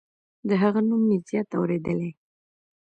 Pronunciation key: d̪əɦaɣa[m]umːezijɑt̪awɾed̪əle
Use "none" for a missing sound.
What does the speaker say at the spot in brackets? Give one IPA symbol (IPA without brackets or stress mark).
n